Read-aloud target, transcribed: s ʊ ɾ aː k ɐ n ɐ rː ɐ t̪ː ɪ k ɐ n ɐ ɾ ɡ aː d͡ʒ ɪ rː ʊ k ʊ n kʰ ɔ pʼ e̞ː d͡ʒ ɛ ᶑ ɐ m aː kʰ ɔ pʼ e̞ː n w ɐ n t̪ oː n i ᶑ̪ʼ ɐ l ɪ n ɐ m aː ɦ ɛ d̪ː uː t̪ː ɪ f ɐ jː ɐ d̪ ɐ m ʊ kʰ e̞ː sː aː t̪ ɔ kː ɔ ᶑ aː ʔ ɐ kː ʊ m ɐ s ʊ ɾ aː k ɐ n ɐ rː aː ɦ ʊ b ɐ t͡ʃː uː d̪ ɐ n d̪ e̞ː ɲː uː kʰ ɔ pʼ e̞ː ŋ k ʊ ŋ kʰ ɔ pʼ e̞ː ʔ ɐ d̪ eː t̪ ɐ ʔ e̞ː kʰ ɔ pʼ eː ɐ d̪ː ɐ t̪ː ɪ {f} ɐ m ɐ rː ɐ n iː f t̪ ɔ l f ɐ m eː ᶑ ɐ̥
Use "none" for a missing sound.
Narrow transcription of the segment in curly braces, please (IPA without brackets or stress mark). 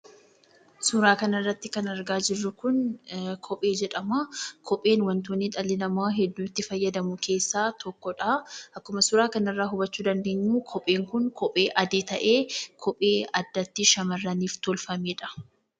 ʃ